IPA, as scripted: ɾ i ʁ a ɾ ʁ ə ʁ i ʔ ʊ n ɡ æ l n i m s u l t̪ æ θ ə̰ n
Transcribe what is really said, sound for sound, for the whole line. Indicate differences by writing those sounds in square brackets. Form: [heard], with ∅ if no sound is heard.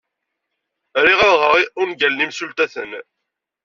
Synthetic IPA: ɾ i ʁ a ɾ ʁ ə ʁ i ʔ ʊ n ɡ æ l n i m s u l t̪ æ θ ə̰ n